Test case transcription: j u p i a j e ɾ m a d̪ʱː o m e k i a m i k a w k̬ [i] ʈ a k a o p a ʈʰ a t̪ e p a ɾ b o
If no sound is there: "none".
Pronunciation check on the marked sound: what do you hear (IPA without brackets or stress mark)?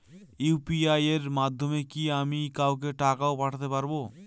e